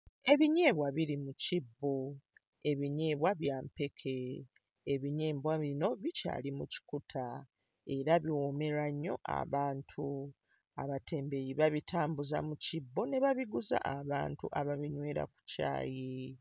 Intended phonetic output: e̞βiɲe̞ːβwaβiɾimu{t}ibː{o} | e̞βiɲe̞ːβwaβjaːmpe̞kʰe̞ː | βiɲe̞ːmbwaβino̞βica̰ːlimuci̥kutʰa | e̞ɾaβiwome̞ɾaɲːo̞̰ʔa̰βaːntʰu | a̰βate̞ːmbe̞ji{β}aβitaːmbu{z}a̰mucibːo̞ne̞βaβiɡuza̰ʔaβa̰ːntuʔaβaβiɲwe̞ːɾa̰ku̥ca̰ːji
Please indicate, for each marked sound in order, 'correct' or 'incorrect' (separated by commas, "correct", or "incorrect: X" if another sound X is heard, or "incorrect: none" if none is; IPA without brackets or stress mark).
incorrect: c, correct, correct, correct